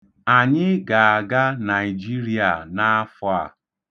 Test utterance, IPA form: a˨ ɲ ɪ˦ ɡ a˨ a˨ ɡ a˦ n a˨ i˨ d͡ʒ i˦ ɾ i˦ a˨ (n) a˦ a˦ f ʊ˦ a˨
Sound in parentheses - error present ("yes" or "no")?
no